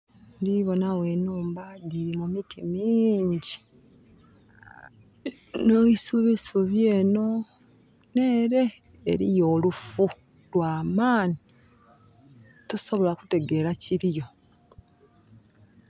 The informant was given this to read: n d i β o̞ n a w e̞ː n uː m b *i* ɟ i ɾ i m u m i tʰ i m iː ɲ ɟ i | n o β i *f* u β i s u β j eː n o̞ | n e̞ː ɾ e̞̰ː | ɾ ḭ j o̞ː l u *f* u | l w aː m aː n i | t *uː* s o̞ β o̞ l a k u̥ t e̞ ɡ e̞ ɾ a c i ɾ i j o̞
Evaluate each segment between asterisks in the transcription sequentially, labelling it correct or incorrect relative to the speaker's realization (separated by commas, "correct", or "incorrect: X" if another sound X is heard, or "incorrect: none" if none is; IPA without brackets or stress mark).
incorrect: a, incorrect: s, correct, incorrect: u